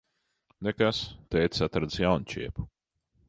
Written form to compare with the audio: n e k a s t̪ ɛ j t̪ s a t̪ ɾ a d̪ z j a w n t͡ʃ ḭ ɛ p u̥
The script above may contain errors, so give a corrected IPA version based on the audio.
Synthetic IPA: n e k a s t̪ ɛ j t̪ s a t̪ ɾ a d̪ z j a w n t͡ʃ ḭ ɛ p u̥